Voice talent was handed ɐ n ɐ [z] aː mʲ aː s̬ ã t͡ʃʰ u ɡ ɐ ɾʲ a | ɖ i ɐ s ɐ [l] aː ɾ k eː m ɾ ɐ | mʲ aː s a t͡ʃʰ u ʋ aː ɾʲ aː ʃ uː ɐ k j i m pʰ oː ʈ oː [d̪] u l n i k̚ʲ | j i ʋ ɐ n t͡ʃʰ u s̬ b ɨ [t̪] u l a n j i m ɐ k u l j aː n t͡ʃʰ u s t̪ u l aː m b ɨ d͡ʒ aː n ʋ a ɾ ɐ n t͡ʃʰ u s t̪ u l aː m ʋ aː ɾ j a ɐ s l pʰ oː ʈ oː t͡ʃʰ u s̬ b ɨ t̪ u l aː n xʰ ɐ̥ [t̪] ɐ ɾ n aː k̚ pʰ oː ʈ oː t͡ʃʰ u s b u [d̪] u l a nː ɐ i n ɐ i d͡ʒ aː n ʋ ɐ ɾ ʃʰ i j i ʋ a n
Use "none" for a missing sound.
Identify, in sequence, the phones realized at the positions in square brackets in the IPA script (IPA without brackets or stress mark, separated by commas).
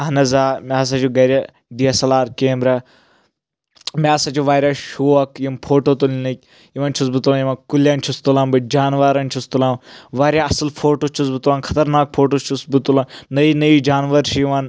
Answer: z, l, t̪, t̪, t̪, t̪